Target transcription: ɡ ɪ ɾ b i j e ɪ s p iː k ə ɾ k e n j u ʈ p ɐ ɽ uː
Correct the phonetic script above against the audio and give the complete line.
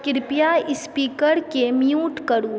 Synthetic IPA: k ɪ ɾ p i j a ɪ s p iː k ə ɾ k e m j uː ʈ k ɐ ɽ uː